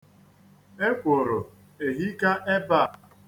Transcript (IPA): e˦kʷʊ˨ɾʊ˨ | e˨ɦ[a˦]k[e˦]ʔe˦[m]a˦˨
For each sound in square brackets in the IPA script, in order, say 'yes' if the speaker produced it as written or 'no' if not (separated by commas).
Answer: no, no, no